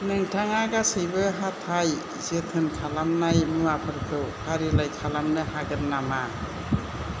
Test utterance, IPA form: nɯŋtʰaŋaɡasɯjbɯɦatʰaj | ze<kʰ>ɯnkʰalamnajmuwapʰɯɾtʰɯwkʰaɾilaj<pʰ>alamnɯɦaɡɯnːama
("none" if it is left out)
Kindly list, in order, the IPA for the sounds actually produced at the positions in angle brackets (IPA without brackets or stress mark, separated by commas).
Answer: tʰ, kʰ